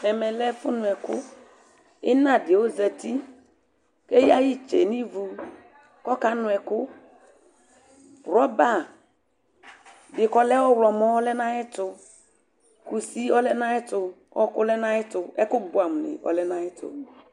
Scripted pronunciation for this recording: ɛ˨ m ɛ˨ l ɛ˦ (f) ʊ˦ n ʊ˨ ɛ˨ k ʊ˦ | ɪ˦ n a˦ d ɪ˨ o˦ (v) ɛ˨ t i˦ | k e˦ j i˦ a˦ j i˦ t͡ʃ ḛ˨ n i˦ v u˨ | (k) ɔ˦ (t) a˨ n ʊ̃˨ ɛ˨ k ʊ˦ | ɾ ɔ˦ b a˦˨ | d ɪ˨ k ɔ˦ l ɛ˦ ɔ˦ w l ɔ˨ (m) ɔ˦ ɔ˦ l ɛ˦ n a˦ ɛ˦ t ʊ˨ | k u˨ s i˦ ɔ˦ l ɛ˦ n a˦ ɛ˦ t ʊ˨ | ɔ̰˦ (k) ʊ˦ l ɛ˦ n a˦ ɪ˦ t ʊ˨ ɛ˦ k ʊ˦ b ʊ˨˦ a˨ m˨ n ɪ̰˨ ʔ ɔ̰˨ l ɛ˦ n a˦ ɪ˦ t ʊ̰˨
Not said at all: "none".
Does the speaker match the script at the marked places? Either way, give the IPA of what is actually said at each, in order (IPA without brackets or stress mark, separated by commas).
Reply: f, z, k, k, m, k